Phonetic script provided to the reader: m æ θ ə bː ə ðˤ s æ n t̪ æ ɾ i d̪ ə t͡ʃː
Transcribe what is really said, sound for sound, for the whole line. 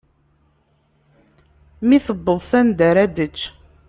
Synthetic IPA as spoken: m i θ ə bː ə ðˤ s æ n d̪ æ ɾ æ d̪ ə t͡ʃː